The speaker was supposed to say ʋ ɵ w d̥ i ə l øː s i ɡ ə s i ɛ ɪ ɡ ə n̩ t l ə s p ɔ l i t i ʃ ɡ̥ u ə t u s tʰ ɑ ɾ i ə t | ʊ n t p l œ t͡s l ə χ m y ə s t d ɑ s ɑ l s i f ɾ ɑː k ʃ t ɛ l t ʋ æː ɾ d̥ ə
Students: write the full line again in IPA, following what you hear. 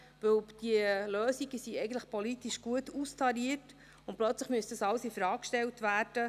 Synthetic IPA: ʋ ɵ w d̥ i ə l øː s i ɡ ə s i ɛ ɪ ɡ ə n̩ t l ə χ p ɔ l i t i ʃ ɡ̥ u ə t u s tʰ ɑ ɾ i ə t | ʊ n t p l œ t͡s l ə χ m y ə s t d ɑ s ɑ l s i f ɾ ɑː k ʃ t ɛ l t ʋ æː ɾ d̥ ə